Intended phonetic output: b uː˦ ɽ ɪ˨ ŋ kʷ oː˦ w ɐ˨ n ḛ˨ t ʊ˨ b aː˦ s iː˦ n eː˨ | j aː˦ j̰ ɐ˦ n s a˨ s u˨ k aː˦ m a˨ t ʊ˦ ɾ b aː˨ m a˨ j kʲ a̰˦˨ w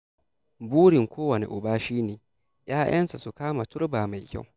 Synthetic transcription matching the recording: b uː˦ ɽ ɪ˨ ŋ kʷ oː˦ w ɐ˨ n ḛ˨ ʔ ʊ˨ b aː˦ ʃ iː˦ n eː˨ | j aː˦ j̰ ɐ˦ n s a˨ s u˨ k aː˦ m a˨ t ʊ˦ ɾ b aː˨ m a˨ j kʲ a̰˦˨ w